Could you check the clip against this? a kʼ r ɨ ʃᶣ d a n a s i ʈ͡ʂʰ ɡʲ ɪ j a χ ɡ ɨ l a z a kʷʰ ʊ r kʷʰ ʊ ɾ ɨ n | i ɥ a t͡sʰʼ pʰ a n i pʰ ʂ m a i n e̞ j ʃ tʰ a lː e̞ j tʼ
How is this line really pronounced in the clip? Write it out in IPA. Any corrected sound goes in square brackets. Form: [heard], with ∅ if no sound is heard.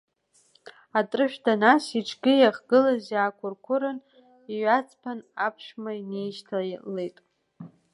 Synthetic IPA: a [tʼ] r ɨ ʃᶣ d a n a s i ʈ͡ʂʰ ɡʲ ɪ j a χ ɡ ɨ l a z a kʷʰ ʊ r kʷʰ ʊ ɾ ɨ n | i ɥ a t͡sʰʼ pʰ a n [a] pʰ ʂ m a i n e̞ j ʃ tʰ a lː e̞ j tʼ